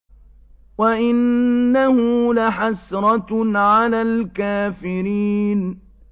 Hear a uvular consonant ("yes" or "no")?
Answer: no